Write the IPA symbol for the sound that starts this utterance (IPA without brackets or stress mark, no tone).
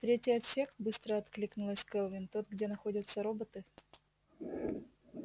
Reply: t̪